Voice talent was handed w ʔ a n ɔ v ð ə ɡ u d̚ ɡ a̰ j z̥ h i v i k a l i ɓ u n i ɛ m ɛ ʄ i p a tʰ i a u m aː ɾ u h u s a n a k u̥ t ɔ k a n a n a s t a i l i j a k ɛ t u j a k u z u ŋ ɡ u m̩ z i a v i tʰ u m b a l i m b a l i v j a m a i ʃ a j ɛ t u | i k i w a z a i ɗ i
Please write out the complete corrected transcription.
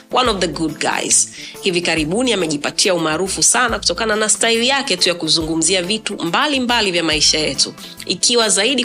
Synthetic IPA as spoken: w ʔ a n ɔ v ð ə ɡ u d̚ ɡ a̰ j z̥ h i v i k a ɾ i ɓ u n i a m ɛ ʄ i p a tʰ i a u m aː ɾ u f u s a n a k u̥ t ɔ k a n a n a s t a i l i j a k ɛ t u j a k u z u ŋ ɡ u m̩ z i a v i t u m b a l i m b a l i v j a m a i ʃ a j ɛ t u | i k i w a z a i ɗ i